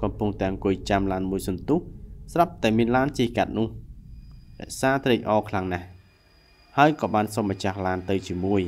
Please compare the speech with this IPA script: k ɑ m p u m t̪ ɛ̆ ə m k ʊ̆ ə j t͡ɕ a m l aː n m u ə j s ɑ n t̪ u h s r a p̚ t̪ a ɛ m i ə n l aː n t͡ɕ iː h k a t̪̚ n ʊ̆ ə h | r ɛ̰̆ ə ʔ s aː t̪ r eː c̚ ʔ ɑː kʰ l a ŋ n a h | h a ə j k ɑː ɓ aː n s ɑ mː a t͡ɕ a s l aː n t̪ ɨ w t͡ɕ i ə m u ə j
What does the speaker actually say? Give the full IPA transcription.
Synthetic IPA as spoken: k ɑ m p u ŋ t̪ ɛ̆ ə ŋ k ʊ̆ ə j t͡ɕ a m l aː n m u ə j s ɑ n t̪ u h s r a p̚ t̪ a ɛ m i ə n l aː n t͡ɕ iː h k a t̪̚ n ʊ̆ ə h | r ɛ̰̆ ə ʔ s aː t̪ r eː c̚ ʔ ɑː kʰ l a ŋ n a h | h a ə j k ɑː ɓ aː n s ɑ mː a t͡ɕ a h l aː n t̪ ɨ w t͡ɕ i ə m u ə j